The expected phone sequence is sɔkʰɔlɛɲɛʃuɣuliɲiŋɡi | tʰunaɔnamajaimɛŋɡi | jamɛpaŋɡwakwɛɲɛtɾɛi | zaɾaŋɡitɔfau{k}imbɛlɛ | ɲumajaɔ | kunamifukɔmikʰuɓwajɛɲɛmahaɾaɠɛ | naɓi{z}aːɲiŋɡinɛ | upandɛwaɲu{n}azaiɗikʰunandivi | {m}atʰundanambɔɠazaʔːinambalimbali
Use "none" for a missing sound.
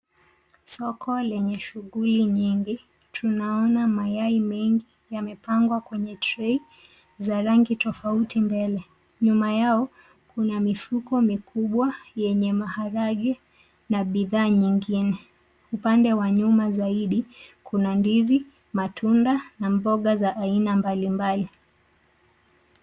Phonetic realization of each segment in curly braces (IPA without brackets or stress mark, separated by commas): t, ð, m, m